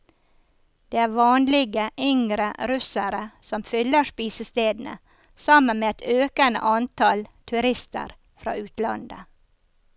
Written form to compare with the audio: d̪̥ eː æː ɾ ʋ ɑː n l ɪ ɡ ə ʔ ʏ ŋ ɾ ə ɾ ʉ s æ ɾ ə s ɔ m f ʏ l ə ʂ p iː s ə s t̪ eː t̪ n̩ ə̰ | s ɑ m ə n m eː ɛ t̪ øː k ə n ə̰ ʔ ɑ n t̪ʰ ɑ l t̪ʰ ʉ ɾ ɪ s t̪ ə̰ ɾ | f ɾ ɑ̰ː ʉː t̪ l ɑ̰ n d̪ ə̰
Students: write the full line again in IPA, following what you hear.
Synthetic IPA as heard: d̪̥ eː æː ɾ ʋ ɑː n l ɪ ɡ ə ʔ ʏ ŋ ɾ ə ɾ ʉ s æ ɾ ə s ɔ m f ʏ l ə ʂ p iː s ə s t̪ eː d̪ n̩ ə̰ | s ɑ m ə n m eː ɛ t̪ øː k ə n ə̰ ʔ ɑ n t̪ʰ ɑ l t̪ʰ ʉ ɾ ɪ s t̪ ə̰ ɾ | f ɾ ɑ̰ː ʉː t̪ l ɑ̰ n d̪ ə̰